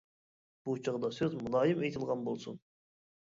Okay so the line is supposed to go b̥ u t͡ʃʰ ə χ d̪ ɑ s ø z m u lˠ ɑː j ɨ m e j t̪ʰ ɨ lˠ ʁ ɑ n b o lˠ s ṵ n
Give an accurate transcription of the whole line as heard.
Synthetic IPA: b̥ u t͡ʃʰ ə ʁ d̪ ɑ s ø z m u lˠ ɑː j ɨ m e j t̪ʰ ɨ lˠ ʁ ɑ n b o lˠ s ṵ n